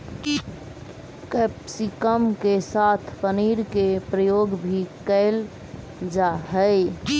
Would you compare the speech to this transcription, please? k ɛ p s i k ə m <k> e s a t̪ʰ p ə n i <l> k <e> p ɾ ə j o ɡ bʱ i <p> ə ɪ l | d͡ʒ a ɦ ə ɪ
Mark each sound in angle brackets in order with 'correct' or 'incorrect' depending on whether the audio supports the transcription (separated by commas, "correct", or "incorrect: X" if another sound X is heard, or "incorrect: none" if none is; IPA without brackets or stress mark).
correct, incorrect: ɾ, correct, incorrect: k